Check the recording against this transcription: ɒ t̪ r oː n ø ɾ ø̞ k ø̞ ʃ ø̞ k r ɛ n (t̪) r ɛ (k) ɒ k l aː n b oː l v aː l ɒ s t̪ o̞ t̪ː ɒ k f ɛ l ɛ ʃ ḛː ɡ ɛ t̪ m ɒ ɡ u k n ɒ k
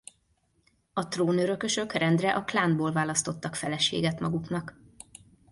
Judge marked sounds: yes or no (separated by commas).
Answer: no, no